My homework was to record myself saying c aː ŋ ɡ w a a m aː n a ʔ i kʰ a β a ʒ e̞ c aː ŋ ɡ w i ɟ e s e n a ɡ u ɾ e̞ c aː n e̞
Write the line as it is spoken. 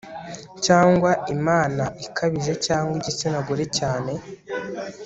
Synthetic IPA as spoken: c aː ŋ ɡ w a i m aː n a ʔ i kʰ a β i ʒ e̞ c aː ŋ ɡ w i ɟ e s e n a ɡ u ɾ e̞ c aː n e̞